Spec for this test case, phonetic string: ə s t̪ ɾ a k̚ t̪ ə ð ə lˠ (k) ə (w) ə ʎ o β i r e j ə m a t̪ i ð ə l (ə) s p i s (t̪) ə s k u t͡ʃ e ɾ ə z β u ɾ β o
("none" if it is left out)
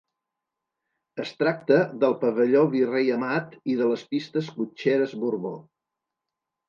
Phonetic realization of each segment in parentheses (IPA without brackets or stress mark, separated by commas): p, β, ə, t̪